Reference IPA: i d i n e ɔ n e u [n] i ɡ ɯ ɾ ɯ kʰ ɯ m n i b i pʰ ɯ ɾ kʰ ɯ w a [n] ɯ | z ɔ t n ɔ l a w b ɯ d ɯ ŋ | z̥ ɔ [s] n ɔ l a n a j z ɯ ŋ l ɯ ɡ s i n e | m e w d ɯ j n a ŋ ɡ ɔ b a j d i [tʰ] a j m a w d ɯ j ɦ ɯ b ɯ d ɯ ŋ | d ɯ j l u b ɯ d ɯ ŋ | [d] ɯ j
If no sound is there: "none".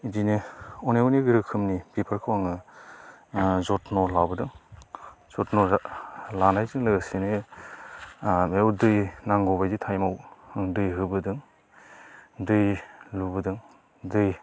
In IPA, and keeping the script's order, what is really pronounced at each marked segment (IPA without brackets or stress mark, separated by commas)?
n, ŋ, t, tʰ, d